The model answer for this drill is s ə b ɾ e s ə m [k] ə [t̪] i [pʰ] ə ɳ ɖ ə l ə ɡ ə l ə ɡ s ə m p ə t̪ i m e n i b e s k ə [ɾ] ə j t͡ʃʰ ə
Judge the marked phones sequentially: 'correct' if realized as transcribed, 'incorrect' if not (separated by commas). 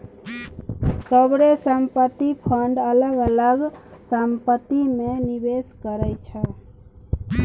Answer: incorrect, correct, correct, correct